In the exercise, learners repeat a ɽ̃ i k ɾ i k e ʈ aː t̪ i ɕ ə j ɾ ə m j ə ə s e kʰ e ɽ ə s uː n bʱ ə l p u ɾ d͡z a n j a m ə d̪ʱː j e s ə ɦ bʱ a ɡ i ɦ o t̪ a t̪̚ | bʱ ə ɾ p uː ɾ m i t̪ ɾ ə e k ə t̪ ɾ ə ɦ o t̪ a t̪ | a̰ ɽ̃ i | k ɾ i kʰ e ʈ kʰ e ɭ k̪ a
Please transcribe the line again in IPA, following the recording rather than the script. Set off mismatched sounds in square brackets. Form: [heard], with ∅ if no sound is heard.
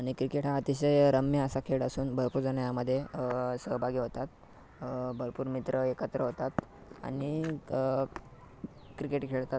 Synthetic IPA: a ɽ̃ i k ɾ i k e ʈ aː t̪ i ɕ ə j ɾ ə m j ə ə s [a] kʰ e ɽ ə s uː n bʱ ə [ɾ] p u ɾ d͡z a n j a m ə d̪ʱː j e s ə ɦ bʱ a ɡ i ɦ o t̪ a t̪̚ | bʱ ə ɾ p uː ɾ m i t̪ ɾ ə e k ə t̪ ɾ ə ɦ o t̪ a t̪ | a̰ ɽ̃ i | k ɾ i [k] e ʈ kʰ e ɭ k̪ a